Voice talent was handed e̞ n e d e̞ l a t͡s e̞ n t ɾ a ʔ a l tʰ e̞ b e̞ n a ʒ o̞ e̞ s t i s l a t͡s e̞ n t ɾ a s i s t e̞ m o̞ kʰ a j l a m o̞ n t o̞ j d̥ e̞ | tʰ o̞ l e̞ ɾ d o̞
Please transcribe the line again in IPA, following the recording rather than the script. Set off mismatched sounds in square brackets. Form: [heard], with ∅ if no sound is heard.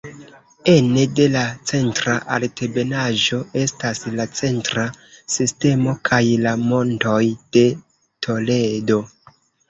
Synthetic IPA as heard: e̞ n e d e̞ l a t͡s e̞ n t ɾ a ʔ a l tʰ e̞ b e̞ n a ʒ o̞ e̞ s t [a] s l a t͡s e̞ n t ɾ a s i s t e̞ m o̞ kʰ a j l a m o̞ n t o̞ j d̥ e̞ | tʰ o̞ l e̞ [∅] d o̞